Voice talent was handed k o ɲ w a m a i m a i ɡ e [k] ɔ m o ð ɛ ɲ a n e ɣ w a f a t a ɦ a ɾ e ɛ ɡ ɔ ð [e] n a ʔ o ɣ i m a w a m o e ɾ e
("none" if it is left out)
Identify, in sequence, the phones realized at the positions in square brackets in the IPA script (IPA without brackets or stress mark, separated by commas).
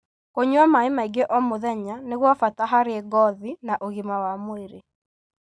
ʔ, i